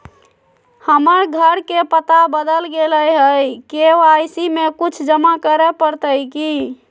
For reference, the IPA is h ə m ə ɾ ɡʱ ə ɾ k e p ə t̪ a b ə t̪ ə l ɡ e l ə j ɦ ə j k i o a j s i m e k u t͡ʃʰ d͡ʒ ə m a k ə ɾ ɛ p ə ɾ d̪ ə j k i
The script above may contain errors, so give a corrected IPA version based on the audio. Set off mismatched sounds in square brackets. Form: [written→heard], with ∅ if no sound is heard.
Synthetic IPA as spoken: h ə m ə ɾ ɡʱ ə ɾ k e p ə t̪ a b ə [t̪→d̪] ə l ɡ e l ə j ɦ ə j k [i→e] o a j s i m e k u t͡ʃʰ d͡ʒ ə m a k ə ɾ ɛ p ə ɾ [d̪→t̪] ə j k i

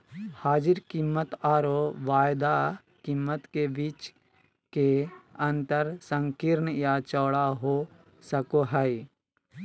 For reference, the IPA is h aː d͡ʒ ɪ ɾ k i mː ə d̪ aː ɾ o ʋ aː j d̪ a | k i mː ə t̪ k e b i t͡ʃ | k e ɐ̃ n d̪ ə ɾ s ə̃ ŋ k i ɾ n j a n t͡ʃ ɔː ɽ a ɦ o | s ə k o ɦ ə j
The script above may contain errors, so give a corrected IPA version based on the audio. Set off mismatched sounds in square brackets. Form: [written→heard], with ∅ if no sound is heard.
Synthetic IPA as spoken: h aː d͡ʒ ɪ ɾ k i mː ə [d̪→t̪] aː ɾ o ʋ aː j d̪ a | k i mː ə t̪ k e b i t͡ʃ | k e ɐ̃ n [d̪→t̪] ə ɾ s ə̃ ŋ k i ɾ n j a [n→∅] t͡ʃ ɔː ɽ a ɦ o | s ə k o ɦ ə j

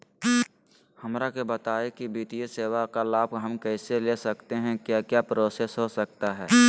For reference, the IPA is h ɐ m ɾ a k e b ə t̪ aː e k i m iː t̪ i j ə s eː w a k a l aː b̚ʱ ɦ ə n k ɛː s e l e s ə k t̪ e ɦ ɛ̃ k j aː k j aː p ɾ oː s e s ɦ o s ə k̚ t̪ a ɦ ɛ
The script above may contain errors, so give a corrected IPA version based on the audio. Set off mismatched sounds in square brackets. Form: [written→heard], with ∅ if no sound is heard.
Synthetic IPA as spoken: h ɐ m ɾ a k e b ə t̪ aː e k i [m→b] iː t̪ i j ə s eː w a k a l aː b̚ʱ ɦ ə [n→m] k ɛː s e l e s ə k t̪ e ɦ ɛ̃ k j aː k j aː p ɾ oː s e s ɦ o s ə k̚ t̪ a ɦ [ɛ→ɛː]

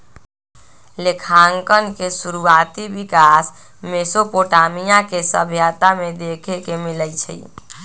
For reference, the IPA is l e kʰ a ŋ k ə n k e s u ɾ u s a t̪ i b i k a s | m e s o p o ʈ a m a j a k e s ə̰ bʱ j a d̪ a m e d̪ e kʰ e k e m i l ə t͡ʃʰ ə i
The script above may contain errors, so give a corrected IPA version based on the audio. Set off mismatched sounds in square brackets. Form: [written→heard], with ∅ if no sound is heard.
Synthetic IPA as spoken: l e kʰ a ŋ k ə n k e s u ɾ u [s→∅] a t̪ i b i k a s | m e s o p o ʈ a m [a→i] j a k e s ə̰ bʱ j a [d̪→t̪] a m e d̪ e kʰ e k e m i l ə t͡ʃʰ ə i

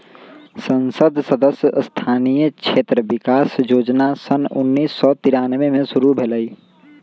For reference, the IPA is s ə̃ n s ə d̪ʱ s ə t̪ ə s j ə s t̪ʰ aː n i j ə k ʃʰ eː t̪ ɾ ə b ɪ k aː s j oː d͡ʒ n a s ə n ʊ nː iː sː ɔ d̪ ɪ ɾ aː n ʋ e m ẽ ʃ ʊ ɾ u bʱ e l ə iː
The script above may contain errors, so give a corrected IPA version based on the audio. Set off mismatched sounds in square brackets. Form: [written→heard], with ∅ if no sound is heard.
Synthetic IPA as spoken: s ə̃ n s ə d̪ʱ s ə [t̪→d̪] ə s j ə s t̪ʰ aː n i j ə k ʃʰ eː t̪ ɾ ə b ɪ k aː s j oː d͡ʒ n a s ə n ʊ nː iː sː ɔ [d̪→t̪] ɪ ɾ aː n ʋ e m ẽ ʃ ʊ ɾ u bʱ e l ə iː

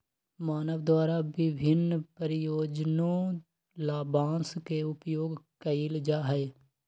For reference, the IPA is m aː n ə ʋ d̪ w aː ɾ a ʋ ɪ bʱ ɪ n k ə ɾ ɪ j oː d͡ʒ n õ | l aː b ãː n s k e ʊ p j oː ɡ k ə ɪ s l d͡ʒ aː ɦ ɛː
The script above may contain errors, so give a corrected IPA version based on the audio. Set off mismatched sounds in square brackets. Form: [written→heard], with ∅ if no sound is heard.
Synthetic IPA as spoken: m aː n ə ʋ d̪ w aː ɾ a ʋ ɪ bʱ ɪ n [k→p] ə ɾ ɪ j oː d͡ʒ n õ | l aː b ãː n s k e ʊ p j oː ɡ k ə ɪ [s→∅] l d͡ʒ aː ɦ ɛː

